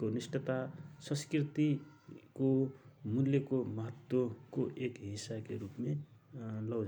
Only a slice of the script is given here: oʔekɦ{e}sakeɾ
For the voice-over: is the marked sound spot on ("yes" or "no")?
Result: no